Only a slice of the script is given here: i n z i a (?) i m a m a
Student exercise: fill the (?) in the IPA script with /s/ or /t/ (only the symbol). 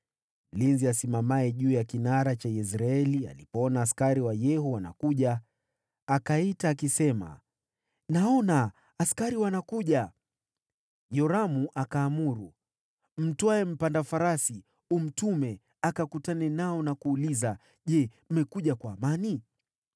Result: s